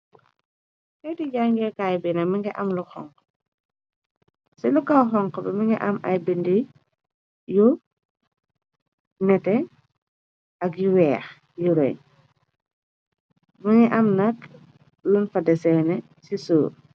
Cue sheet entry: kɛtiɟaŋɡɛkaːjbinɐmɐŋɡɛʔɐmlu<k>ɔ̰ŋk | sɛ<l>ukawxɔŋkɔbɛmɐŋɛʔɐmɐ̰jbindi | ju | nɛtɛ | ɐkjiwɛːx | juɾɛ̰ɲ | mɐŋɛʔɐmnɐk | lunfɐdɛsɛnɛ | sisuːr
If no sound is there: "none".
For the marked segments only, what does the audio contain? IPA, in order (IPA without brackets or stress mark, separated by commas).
x, l